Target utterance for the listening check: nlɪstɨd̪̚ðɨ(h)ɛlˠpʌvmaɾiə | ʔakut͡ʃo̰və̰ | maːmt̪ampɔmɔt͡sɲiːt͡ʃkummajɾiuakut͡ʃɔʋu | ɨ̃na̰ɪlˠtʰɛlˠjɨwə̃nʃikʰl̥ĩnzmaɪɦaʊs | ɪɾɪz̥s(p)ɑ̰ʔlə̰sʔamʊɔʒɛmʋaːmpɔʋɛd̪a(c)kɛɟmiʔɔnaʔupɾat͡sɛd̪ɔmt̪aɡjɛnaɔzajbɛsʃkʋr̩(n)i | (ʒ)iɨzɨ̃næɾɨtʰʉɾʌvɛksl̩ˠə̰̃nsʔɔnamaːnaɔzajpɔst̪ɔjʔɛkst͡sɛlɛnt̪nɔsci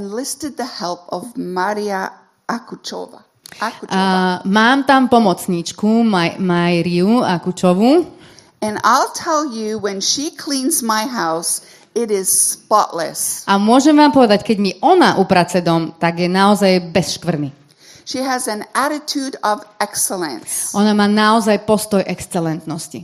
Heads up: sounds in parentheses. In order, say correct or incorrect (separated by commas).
correct, correct, correct, correct, incorrect